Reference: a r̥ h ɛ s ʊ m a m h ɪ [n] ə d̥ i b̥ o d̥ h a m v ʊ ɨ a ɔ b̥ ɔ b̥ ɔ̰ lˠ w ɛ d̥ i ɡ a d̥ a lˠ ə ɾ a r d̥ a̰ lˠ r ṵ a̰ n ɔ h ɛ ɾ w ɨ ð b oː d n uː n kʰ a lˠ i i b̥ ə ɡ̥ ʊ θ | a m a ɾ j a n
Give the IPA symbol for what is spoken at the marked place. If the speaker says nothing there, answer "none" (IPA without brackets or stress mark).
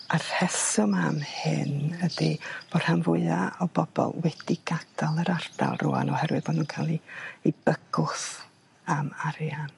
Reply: n